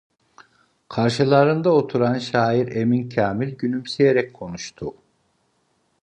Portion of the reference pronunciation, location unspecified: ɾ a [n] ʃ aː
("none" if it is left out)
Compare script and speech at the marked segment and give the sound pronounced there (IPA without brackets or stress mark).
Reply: n